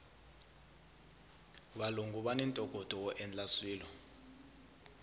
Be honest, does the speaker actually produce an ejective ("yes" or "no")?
yes